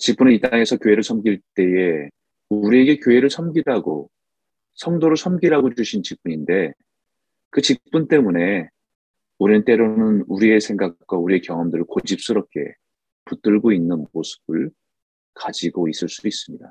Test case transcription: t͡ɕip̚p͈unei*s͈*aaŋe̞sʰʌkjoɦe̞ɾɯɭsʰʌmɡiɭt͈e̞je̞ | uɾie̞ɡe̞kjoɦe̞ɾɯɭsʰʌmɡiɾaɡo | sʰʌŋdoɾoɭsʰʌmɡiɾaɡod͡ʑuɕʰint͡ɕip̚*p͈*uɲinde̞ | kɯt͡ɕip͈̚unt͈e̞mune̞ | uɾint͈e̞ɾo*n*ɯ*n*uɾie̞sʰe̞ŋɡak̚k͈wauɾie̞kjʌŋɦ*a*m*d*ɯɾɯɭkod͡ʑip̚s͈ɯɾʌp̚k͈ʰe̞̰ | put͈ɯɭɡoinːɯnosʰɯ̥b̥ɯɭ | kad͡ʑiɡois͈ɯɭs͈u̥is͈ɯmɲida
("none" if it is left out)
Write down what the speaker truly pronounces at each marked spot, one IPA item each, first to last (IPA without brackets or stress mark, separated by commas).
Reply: t͈, p͈, n, n, ʌ, d